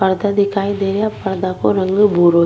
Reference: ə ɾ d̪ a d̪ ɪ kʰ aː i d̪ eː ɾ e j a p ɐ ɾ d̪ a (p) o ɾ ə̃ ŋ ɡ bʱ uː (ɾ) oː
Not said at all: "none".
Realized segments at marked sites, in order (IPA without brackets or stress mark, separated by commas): k, ɾ